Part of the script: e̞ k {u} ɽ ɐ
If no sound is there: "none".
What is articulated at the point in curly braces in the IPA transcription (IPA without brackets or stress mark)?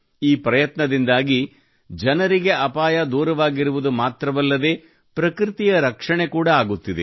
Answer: uː